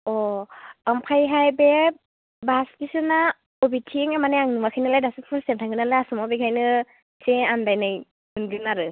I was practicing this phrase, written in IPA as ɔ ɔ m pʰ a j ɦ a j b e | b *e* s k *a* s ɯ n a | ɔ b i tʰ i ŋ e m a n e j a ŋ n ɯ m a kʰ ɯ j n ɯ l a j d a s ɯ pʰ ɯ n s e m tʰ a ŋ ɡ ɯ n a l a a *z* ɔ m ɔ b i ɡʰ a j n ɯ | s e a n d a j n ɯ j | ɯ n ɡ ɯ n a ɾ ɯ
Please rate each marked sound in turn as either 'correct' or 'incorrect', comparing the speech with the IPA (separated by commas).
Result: incorrect, incorrect, incorrect